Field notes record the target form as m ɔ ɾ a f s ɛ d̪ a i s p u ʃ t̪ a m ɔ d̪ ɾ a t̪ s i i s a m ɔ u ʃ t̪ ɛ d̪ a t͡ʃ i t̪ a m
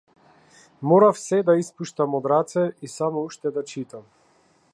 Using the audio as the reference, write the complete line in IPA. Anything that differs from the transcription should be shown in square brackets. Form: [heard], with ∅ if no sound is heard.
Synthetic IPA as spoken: m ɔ ɾ a f s ɛ d̪ a i s p u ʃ t̪ a m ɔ d̪ ɾ a t̪ s [ɛ] i s a m ɔ u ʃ t̪ ɛ d̪ a t͡ʃ i t̪ a m